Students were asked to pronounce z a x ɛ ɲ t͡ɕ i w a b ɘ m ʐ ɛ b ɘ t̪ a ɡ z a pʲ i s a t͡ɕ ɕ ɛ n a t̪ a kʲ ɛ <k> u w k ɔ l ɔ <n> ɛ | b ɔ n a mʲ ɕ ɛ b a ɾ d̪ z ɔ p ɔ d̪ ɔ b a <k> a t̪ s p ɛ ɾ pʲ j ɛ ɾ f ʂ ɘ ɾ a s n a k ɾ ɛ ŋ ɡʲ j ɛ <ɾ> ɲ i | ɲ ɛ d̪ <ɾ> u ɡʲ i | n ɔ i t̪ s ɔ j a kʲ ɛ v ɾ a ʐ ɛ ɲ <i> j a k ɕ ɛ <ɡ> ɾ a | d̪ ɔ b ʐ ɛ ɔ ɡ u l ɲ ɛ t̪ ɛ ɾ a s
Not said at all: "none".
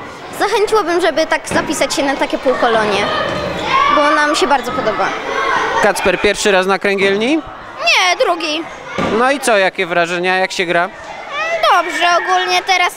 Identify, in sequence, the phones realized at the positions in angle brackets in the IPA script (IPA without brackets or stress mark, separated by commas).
p, ɲ, k, l, ɾ, a, ɡ